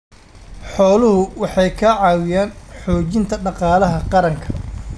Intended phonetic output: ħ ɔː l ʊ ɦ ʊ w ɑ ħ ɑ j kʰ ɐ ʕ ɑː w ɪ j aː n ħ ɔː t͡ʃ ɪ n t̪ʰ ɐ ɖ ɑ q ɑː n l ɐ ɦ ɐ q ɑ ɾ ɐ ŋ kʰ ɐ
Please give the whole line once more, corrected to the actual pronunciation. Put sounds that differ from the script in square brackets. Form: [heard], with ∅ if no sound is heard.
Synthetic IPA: ħ ɔː l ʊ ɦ ʊ w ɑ ħ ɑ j kʰ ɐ ʕ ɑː w ɪ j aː n ħ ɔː t͡ʃ ɪ n t̪ʰ ɐ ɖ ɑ q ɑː [∅] l ɐ ɦ ɐ q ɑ ɾ ɐ ŋ kʰ ɐ